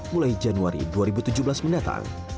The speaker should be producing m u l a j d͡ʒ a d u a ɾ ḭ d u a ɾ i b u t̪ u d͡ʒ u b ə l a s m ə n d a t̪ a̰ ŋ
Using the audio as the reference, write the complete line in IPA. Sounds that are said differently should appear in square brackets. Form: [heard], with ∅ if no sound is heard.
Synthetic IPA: m u l a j d͡ʒ a [n] u a ɾ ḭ d u a ɾ i b u t̪ u d͡ʒ u b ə l a s m ə n d a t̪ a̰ ŋ